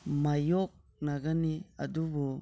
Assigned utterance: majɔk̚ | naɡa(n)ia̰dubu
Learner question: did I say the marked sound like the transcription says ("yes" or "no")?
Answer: yes